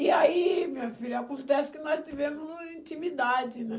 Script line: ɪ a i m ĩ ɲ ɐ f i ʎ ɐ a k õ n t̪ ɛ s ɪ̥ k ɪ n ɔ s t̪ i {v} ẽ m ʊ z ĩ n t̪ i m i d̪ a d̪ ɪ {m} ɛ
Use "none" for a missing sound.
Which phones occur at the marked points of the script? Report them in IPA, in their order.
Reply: v, n

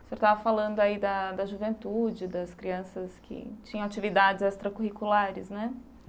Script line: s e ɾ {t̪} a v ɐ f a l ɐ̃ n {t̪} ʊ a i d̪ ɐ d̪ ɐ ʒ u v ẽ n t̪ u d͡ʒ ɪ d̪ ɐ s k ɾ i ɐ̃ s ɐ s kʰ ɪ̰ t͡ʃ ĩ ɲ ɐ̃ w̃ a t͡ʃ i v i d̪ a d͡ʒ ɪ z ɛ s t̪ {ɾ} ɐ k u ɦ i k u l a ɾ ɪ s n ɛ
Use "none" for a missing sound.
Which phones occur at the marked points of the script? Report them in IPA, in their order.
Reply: t̪, d̪, ɾ

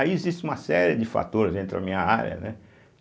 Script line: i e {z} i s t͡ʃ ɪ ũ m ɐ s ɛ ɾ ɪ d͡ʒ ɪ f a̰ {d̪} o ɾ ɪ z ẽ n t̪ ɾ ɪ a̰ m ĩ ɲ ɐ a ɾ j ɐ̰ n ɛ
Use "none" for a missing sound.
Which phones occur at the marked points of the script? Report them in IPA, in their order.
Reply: z, t̪

